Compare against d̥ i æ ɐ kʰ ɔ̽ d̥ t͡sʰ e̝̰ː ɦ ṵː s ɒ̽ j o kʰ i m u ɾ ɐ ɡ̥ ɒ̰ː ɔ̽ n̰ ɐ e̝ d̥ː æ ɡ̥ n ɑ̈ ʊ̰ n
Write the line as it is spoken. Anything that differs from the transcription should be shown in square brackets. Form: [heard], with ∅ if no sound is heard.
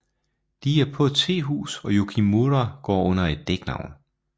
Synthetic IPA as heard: d̥ i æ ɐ [pʰ] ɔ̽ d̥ t͡sʰ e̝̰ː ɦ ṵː s ɒ̽ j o kʰ i m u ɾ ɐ ɡ̥ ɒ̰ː ɔ̽ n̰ ɐ e̝ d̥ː [e] ɡ̥ n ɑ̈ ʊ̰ n